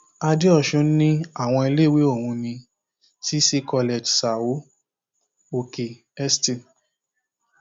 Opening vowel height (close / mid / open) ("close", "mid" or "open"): open